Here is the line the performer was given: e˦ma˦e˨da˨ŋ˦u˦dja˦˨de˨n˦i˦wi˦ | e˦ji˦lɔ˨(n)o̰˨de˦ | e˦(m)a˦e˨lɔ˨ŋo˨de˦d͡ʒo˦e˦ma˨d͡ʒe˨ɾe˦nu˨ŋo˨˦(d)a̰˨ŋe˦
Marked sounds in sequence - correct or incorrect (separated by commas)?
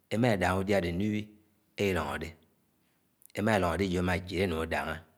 incorrect, correct, correct